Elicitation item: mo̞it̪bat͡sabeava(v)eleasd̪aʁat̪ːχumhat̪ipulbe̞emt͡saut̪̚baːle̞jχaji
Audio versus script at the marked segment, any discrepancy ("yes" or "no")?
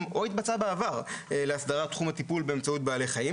yes